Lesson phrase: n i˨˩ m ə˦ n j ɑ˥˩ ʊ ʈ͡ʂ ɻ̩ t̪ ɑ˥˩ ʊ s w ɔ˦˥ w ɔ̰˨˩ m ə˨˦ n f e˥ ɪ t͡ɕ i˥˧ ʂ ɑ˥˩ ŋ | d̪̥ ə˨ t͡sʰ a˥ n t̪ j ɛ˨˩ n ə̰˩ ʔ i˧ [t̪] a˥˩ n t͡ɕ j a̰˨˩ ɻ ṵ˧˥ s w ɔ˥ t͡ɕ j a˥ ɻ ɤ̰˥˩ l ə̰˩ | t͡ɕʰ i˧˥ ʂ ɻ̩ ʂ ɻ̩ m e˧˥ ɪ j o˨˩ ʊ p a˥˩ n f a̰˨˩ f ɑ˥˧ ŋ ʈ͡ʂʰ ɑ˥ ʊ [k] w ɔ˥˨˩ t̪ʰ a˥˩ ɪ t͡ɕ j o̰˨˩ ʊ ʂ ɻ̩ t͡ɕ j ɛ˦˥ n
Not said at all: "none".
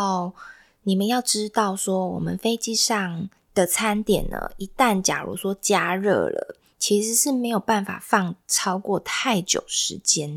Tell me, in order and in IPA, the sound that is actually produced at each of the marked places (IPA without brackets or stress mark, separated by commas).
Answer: t̪, k